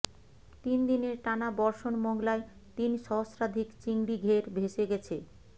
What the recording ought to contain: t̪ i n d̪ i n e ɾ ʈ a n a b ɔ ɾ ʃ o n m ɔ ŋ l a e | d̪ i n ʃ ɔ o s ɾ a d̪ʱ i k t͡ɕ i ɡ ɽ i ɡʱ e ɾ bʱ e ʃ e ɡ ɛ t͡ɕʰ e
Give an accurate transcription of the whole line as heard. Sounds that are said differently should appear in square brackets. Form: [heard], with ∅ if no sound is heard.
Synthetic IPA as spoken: t̪ i n d̪ i n e ɾ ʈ a n a b ɔ ɾ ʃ o n m ɔ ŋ l a e | [t̪] i n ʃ ɔ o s ɾ a d̪ʱ i k t͡ɕ i [ŋ] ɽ i ɡʱ e ɾ bʱ e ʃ e ɡ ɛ t͡ɕʰ e